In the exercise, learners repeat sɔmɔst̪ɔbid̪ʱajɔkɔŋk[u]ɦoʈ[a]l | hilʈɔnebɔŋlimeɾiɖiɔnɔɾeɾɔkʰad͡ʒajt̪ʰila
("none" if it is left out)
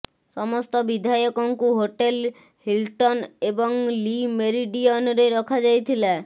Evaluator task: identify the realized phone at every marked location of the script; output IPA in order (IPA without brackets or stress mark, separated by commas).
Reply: u, e